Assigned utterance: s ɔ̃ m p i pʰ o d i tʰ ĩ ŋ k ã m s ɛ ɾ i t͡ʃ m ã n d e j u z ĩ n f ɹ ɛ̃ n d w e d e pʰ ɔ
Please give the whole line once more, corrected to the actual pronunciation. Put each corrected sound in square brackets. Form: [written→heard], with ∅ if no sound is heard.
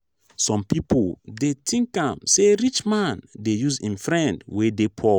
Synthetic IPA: s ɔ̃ m p i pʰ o d [i→e] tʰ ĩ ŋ k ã m s [ɛ→e] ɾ i t͡ʃ m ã n d e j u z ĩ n f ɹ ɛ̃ n d w e d e pʰ ɔ